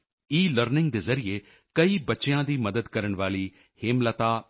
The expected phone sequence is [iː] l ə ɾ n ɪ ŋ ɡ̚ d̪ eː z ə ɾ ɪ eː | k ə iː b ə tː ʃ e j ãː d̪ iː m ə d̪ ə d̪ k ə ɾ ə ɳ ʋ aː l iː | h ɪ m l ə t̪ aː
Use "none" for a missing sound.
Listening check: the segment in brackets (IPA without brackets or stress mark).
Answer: iː